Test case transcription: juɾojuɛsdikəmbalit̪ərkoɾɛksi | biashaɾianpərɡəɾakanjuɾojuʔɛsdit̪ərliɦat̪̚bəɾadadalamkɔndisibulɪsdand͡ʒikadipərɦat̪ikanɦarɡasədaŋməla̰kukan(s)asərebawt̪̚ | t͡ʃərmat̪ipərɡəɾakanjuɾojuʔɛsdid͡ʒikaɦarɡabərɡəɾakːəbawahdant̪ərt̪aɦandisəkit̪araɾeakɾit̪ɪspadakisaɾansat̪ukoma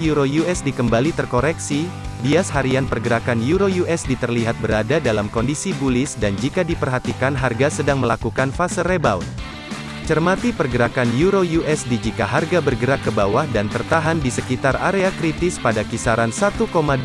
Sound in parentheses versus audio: incorrect: f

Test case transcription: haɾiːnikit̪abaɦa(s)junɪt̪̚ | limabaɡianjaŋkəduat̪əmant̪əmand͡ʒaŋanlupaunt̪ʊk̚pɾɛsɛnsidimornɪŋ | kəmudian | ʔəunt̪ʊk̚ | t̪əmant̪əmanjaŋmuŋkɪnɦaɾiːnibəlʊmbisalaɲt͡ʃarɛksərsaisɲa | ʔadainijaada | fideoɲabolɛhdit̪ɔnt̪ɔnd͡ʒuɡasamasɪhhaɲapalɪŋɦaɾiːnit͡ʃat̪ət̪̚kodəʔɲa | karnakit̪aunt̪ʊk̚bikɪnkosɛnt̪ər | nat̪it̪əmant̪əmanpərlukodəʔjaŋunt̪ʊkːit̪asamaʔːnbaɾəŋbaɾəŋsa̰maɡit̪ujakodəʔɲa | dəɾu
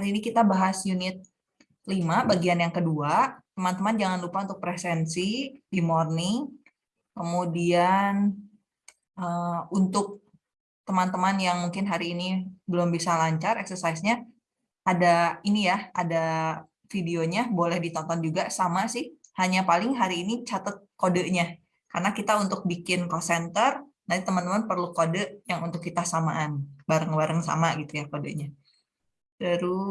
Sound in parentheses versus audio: correct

